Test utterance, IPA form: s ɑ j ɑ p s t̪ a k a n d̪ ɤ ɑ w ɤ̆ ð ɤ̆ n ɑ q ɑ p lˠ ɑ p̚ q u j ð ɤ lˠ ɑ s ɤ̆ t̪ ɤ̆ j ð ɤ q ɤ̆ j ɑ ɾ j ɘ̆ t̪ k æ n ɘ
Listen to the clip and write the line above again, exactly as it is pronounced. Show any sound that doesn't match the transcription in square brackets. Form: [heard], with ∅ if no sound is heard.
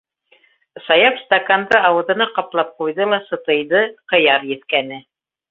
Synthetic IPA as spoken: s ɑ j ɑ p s t̪ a k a n d̪ ɤ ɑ w ɤ̆ ð ɤ̆ n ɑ q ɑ p lˠ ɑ p̚ q u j ð ɤ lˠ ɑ s ɤ̆ t̪ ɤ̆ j ð ɤ q ɤ̆ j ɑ ɾ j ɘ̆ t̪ k æ n ɘ